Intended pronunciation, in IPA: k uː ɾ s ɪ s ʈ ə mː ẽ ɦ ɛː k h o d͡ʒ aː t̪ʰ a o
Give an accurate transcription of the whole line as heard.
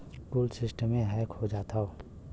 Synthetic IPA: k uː l s ɪ s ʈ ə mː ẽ ɦ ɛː k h o d͡ʒ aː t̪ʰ a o